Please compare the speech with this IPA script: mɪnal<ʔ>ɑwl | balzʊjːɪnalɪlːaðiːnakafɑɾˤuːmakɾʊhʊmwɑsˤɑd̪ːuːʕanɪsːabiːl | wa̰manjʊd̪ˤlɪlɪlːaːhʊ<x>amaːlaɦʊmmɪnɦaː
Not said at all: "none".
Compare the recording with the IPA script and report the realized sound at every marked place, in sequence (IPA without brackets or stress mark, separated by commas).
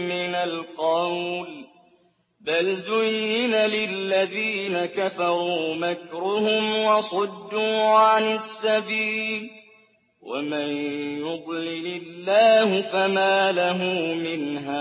q, f